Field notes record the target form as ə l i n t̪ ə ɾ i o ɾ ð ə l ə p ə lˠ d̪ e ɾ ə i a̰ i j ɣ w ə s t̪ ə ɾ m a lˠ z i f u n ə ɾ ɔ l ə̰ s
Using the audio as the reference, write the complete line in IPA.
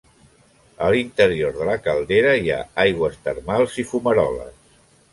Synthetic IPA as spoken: ə l i n t̪ ə ɾ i o ɾ ð ə l ə k ə lˠ d̪ e ɾ ə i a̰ a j ɣ w ə s t̪ ə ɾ m a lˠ z i f u m ə ɾ ɔ l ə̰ s